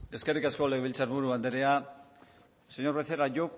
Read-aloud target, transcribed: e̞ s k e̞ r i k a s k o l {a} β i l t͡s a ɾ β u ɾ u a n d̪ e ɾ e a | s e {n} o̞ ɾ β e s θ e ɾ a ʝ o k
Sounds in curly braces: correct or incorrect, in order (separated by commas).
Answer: incorrect, incorrect